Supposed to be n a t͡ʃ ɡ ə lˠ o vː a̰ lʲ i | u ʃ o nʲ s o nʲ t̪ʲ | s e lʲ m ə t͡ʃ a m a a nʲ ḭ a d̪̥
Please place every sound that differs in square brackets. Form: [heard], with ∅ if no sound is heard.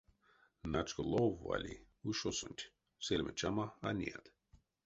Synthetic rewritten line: n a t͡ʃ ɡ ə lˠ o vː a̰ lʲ i | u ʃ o [∅] s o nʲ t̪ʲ | s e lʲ m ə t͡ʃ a m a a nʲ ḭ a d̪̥